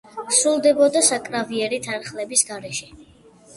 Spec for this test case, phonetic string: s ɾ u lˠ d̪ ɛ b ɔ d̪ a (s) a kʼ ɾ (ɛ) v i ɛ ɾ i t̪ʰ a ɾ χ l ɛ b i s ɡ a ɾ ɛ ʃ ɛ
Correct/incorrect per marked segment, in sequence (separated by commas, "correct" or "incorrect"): correct, incorrect